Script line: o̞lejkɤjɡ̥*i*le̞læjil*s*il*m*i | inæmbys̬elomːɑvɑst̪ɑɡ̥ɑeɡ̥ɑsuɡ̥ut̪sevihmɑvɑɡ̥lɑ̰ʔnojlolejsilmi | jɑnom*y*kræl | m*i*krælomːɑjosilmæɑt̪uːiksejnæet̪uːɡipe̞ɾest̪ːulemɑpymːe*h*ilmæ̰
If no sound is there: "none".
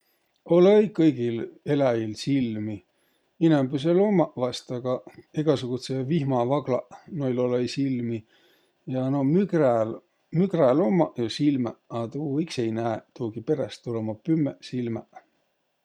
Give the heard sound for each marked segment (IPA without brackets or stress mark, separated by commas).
i, s, m, y, y, s